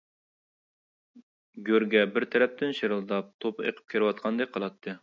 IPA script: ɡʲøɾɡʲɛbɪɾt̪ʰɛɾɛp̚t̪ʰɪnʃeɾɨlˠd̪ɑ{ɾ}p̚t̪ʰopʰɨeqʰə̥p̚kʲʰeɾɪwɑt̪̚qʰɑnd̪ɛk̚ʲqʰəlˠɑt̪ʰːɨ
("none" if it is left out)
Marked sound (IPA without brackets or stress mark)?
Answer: none